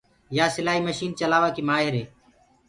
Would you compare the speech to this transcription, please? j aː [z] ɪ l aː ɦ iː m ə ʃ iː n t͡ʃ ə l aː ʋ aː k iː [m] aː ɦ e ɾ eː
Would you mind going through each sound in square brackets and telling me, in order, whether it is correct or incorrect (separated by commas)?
incorrect, correct